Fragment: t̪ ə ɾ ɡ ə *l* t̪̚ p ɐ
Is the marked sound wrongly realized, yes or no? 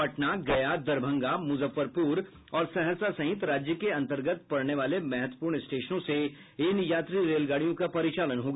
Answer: yes